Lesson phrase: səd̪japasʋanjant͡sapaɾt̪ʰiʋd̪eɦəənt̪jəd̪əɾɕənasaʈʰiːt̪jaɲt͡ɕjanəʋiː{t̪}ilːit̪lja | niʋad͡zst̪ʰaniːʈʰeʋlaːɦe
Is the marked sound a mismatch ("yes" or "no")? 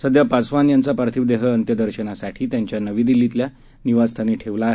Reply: yes